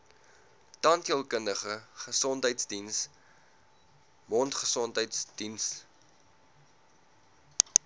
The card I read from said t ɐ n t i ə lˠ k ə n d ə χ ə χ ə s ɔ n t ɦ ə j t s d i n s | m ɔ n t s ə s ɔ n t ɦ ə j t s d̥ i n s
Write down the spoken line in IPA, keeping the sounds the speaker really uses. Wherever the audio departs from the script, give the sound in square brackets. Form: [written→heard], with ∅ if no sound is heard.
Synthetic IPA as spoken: t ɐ n t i ə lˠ k ə n d ə χ ə χ ə s ɔ n t ɦ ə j t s d i n s | m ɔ n t [s→χ] ə s ɔ n t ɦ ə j t s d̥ i n s